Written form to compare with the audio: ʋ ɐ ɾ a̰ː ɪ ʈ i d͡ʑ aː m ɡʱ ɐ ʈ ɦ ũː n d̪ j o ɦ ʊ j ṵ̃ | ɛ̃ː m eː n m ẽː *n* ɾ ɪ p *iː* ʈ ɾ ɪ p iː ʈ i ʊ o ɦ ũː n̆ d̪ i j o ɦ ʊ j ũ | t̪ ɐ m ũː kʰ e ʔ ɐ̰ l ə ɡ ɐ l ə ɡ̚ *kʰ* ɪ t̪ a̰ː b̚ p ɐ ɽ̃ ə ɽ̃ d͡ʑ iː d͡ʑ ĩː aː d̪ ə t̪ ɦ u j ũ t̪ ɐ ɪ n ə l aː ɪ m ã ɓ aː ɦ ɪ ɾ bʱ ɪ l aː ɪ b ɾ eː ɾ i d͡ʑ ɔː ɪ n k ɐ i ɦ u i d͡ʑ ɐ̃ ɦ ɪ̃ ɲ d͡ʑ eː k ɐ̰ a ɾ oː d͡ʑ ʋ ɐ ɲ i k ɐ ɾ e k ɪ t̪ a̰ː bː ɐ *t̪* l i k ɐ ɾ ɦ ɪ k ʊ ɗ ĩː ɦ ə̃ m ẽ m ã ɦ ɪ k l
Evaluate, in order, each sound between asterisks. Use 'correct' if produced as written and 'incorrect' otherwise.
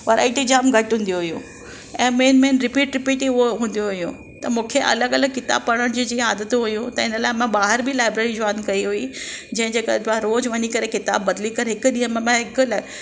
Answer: correct, correct, incorrect, incorrect

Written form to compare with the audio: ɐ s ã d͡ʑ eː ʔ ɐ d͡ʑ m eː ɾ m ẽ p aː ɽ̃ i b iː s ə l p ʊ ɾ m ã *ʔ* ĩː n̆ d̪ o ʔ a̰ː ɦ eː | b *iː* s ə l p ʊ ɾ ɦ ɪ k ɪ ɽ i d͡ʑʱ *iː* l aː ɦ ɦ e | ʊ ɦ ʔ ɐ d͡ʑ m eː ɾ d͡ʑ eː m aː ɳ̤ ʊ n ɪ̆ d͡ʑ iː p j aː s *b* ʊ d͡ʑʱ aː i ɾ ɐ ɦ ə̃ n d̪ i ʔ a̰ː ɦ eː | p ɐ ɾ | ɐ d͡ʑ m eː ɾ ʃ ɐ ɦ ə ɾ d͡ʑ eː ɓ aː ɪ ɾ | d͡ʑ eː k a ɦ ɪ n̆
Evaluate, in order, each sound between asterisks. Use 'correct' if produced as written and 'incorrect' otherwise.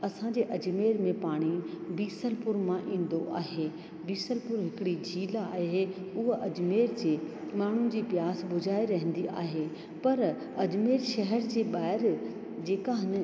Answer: correct, correct, correct, correct

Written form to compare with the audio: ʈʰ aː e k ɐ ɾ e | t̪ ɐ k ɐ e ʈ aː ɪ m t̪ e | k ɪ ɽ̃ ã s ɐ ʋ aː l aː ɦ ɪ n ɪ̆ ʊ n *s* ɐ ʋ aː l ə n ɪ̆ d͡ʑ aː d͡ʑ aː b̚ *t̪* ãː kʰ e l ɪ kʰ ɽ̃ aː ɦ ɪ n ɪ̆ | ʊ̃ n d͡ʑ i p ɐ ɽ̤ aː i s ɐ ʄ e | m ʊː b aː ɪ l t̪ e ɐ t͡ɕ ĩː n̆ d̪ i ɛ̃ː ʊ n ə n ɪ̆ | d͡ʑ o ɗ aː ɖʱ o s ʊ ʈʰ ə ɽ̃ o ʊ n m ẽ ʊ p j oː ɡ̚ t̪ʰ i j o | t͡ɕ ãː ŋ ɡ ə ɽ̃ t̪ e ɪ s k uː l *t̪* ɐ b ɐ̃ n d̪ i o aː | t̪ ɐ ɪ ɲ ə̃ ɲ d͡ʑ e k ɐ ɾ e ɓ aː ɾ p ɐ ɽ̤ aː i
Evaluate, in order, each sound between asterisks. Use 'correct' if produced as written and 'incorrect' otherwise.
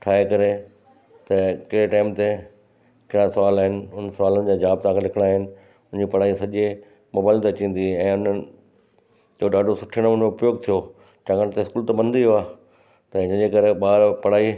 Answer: correct, correct, correct

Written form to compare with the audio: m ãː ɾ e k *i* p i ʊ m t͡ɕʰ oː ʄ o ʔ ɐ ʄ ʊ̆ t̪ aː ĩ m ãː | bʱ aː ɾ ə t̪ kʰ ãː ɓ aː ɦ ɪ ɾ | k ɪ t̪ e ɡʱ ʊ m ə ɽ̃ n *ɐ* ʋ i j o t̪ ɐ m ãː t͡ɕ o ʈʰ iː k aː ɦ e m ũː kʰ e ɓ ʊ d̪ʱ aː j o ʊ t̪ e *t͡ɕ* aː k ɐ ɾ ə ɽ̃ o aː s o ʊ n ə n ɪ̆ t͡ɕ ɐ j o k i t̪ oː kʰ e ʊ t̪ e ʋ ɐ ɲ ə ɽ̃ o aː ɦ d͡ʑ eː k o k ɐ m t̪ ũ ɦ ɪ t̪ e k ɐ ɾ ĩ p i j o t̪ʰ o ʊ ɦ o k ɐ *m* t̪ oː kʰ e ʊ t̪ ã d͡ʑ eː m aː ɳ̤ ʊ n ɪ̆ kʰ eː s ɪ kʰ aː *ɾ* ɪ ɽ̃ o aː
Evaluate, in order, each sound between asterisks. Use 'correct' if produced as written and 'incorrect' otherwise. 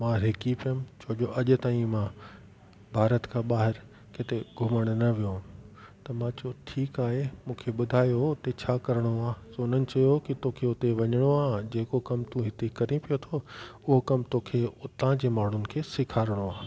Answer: correct, correct, incorrect, correct, correct

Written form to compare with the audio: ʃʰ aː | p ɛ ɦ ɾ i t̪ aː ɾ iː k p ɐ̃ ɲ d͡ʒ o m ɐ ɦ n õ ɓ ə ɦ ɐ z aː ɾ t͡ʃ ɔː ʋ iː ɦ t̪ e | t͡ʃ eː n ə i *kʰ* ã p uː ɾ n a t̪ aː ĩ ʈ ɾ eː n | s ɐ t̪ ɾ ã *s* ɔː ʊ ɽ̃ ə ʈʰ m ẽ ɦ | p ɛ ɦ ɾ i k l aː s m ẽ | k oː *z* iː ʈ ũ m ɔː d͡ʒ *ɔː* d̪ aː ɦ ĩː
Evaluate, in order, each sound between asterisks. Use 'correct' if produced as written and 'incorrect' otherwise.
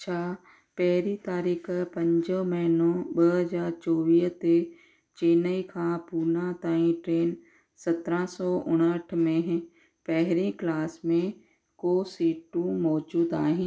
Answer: correct, correct, incorrect, incorrect

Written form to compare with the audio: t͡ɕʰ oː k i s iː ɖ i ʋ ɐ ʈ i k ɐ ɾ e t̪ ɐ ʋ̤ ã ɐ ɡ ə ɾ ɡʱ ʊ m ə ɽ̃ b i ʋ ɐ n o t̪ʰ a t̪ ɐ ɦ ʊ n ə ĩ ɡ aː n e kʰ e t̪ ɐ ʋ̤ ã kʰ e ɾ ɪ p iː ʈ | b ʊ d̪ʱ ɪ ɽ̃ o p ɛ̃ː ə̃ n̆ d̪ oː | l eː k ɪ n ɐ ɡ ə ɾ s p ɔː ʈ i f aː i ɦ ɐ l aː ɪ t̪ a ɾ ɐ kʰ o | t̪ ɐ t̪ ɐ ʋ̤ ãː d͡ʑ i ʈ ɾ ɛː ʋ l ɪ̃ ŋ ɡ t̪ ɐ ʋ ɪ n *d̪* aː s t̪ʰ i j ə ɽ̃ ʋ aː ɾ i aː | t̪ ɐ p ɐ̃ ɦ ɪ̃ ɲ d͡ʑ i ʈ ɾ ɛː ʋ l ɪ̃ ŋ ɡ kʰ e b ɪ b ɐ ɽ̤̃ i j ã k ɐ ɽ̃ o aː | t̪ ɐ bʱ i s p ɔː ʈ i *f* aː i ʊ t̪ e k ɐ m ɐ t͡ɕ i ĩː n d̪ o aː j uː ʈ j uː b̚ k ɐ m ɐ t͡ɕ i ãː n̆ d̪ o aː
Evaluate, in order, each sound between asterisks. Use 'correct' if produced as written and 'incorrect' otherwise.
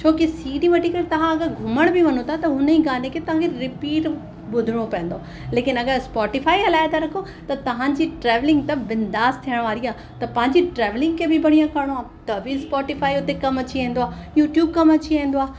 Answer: correct, correct

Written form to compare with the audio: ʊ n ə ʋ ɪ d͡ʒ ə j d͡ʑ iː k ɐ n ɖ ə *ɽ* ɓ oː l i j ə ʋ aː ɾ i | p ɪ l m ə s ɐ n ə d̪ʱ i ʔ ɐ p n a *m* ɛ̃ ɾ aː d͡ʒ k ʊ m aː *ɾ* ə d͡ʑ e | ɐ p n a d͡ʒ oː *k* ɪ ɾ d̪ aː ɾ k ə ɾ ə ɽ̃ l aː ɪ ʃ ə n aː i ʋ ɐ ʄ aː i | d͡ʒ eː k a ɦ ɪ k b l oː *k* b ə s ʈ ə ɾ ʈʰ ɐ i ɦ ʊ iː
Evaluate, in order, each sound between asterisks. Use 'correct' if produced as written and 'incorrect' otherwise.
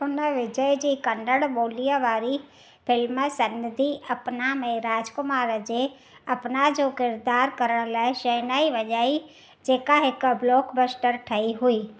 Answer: correct, correct, correct, correct, correct

